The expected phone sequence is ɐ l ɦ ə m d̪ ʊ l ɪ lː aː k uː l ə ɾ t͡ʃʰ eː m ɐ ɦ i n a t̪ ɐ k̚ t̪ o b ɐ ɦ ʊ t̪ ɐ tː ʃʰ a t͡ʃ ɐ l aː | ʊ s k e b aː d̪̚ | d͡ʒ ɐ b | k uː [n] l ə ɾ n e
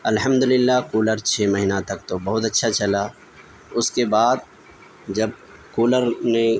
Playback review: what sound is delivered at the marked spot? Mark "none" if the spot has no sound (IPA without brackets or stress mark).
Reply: none